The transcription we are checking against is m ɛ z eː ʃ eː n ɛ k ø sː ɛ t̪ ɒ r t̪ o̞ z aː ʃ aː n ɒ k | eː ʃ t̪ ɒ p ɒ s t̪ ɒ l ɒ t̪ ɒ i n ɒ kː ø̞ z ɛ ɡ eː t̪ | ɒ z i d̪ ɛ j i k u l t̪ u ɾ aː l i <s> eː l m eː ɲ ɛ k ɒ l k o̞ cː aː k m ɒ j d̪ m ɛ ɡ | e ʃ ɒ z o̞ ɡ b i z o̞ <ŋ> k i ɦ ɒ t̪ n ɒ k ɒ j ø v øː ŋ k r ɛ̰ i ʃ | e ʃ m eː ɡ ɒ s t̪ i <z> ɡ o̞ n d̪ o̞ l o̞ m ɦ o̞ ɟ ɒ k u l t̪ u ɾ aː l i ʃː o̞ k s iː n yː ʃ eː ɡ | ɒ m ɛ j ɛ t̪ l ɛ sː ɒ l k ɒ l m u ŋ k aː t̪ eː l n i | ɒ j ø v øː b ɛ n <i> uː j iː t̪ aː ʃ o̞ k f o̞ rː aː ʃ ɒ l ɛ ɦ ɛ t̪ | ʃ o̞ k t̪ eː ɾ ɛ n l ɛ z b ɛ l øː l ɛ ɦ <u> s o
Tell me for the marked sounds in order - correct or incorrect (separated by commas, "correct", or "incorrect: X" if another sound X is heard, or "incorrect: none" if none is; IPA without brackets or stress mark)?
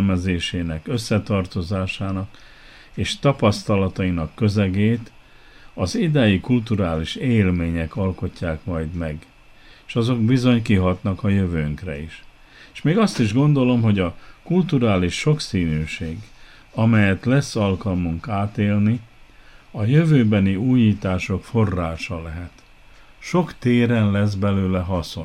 incorrect: ʃ, incorrect: ɲ, incorrect: ʒ, correct, incorrect: ɒ